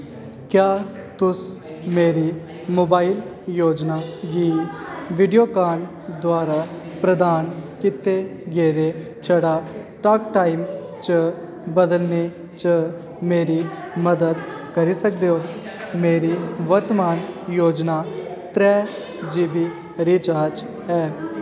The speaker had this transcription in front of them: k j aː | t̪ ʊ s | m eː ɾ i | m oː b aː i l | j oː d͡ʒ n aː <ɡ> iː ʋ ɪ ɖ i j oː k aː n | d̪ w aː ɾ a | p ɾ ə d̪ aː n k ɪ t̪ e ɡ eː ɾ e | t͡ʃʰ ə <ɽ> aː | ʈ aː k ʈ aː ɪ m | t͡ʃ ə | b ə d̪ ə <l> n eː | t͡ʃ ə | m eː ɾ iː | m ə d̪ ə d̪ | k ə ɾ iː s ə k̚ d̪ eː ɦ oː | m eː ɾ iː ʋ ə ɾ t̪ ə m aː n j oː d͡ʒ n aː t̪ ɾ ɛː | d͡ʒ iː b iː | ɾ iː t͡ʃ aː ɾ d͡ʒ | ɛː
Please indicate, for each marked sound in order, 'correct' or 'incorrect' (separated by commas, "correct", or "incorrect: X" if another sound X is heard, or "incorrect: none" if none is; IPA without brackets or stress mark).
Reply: correct, correct, correct